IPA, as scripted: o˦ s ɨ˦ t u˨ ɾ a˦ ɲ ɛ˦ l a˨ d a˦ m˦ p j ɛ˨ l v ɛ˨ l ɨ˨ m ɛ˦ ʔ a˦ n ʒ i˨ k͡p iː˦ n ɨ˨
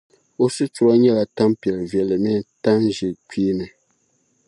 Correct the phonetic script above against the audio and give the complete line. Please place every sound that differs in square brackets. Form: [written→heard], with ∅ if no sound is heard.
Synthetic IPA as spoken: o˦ s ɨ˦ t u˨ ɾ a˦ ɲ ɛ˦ l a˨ [d→t] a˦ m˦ p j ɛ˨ l v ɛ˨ l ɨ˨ m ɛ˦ [ʔ→t] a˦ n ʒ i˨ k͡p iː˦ n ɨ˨